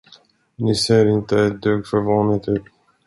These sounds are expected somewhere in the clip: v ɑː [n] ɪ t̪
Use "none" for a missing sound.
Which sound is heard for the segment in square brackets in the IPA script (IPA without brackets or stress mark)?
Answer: n